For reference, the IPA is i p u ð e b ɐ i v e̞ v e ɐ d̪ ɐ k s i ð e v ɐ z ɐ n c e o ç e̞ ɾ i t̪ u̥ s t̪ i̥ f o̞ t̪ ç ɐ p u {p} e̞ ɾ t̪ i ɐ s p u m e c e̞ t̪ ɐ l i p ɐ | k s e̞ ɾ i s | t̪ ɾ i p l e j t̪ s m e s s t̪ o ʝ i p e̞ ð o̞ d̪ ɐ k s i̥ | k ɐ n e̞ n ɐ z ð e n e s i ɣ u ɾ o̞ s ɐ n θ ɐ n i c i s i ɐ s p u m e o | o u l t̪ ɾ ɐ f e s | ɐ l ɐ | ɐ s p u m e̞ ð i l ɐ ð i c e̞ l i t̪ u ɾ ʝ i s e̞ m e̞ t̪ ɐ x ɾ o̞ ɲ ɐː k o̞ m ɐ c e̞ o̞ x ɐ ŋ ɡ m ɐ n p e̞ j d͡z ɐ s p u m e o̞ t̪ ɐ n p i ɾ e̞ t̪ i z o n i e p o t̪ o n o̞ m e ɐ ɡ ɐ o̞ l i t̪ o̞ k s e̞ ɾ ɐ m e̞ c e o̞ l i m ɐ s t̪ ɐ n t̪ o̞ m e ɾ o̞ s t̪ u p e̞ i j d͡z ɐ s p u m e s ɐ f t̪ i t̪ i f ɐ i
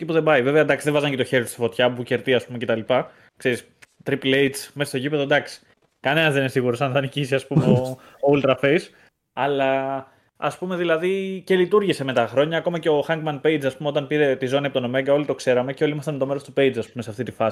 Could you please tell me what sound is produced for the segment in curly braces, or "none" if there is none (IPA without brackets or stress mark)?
c